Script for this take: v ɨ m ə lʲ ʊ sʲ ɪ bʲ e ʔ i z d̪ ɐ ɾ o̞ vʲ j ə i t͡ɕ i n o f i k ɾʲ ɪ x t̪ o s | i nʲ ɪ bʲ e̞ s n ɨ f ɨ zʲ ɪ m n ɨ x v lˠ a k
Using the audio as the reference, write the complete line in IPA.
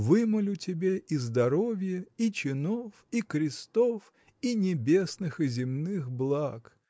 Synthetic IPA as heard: v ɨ m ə lʲ ʊ tʲ ɪ bʲ e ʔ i z d̪ ɐ ɾ o̞ vʲ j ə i t͡ɕ ɪ n o f i k ɾʲ ɪ s t̪ o f | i nʲ ɪ bʲ e̞ s n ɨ x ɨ zʲ ɪ m n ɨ x b lˠ a k